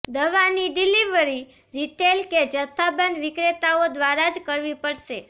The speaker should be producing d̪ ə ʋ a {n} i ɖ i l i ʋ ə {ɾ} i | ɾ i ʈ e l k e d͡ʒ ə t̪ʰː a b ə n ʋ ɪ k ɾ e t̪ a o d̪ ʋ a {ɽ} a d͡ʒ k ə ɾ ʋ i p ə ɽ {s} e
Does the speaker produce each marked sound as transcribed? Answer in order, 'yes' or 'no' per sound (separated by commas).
yes, yes, no, no